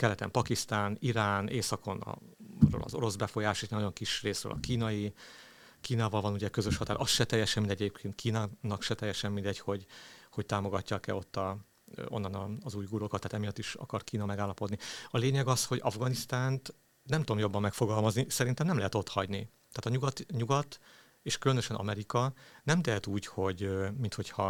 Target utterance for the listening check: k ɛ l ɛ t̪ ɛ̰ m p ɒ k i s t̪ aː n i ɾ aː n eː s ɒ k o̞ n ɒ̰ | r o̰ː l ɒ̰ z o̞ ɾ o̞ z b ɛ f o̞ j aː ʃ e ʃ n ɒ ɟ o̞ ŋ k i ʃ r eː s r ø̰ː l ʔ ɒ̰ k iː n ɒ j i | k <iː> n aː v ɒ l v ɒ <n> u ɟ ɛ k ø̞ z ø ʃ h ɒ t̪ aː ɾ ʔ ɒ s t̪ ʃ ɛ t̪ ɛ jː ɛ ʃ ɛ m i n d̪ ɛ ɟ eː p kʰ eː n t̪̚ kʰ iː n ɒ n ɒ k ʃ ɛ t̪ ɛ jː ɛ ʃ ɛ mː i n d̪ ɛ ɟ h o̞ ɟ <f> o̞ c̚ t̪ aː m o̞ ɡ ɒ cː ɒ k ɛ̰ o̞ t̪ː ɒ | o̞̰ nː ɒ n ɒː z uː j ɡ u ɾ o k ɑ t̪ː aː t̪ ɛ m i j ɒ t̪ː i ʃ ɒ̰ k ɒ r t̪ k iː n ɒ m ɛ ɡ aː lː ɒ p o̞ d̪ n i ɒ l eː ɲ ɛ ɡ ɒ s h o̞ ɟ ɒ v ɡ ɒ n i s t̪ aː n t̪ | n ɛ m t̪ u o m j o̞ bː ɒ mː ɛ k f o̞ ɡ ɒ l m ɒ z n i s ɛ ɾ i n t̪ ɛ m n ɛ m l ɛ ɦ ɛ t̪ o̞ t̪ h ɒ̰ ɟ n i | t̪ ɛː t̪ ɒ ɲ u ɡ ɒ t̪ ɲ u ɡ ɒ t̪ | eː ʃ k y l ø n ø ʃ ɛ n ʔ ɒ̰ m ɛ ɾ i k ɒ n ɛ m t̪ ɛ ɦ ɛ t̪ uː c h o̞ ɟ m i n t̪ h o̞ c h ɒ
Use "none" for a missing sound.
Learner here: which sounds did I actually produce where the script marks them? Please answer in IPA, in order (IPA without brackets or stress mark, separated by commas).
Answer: iː, n, h